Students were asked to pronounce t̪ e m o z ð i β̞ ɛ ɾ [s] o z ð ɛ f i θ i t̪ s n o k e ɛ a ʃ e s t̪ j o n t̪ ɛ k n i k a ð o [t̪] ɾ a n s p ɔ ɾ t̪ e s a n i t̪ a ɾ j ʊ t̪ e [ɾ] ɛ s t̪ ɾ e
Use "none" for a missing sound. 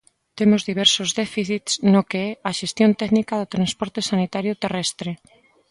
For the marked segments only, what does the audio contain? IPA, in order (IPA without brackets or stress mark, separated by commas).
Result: s, t̪, r